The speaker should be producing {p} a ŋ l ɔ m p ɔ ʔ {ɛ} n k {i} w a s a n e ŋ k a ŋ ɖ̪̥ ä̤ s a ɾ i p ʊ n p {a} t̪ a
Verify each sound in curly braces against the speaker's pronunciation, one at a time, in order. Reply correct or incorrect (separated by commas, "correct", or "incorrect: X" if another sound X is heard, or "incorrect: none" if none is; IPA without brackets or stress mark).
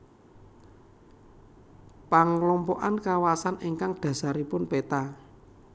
correct, incorrect: a, incorrect: a, incorrect: e